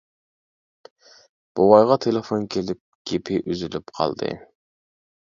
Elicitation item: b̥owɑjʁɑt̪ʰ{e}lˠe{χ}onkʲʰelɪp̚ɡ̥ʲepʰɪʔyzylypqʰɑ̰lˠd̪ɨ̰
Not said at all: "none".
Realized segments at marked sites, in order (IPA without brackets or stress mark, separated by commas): e, f